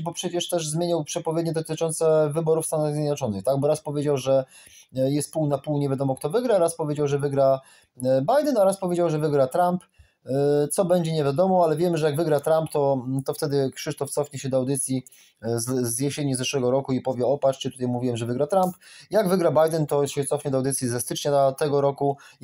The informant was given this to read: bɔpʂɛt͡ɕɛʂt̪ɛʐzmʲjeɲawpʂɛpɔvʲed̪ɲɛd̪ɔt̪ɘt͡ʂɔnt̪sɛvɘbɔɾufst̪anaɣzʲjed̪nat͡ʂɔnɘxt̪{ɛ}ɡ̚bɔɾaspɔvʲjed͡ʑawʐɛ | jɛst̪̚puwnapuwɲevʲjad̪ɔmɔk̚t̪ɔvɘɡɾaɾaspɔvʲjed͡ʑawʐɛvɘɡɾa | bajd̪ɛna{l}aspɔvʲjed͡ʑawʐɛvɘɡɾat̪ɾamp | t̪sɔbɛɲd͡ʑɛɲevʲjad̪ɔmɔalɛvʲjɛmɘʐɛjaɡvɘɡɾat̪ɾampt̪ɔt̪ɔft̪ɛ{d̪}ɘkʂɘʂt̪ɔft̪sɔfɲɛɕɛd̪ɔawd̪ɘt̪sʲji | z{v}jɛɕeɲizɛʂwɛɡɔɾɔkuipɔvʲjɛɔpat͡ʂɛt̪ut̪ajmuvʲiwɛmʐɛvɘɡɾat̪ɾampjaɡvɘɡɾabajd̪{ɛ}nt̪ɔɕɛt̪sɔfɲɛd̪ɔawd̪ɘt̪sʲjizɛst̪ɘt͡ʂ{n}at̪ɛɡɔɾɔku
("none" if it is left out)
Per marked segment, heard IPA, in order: a, ɾ, d̪, z, ɛ, ɲ

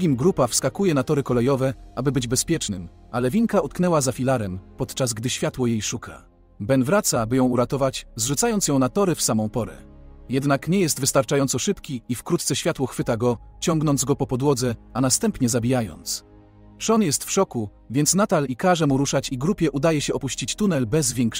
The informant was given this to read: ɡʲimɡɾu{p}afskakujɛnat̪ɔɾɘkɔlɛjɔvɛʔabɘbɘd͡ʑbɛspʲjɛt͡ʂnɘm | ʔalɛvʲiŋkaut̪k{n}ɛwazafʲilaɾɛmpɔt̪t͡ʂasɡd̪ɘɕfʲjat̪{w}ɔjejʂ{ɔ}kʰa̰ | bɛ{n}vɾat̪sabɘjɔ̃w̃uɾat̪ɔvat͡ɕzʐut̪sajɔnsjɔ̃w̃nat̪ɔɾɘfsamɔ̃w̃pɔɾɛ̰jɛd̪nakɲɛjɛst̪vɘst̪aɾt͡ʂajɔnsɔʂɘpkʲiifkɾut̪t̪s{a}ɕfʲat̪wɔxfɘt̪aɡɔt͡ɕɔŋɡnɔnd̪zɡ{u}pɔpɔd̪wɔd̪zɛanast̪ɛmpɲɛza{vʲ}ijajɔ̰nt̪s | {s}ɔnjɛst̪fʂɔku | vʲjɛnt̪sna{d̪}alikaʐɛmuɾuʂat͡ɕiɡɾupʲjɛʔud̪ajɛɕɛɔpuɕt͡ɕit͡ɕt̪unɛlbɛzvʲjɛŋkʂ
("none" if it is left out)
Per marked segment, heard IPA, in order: p, n, w, u, n, ɛ, ɔ, bʲ, ʂ, t̪

